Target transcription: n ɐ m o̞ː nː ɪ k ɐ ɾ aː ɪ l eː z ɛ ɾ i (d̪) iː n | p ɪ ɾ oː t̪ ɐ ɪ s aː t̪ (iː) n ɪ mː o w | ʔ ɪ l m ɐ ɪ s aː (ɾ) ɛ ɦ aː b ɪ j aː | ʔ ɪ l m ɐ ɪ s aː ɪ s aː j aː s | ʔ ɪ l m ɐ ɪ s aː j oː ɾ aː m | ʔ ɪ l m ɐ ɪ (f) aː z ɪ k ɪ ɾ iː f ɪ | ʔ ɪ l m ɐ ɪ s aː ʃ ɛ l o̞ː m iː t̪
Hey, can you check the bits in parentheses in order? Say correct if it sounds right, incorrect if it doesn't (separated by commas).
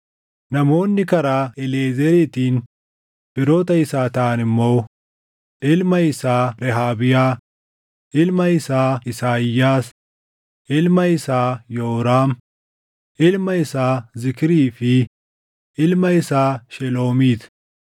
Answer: incorrect, incorrect, correct, incorrect